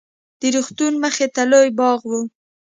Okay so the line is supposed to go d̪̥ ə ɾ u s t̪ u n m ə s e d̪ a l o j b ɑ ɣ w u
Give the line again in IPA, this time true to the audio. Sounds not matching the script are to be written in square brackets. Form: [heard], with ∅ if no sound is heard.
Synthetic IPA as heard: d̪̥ ə ɾ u [x] t̪ u n m ə [x] e [t̪] a l o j b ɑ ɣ w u